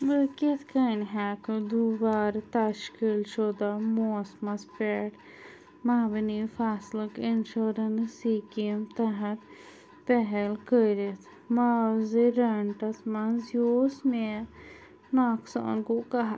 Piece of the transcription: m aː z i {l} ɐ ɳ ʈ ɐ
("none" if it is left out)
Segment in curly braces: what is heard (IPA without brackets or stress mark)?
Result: ɾ